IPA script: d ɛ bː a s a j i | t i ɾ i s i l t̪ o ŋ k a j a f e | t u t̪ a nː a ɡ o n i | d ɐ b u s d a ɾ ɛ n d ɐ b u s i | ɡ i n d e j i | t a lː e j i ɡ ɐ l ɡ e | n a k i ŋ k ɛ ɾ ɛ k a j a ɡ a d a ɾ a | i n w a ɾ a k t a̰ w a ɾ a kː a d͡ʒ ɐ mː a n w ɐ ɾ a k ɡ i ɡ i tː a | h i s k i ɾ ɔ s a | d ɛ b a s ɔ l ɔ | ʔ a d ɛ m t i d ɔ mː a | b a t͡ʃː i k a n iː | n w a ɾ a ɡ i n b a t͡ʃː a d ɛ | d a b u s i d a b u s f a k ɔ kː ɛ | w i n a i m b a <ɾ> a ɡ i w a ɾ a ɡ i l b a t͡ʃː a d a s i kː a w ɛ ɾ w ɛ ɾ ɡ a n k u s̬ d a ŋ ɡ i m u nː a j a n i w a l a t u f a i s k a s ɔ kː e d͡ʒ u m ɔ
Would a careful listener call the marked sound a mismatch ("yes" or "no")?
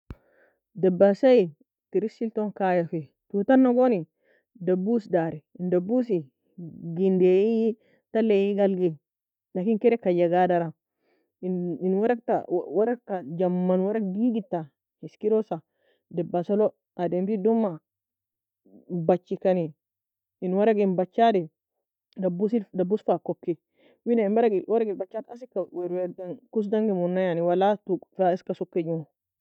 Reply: no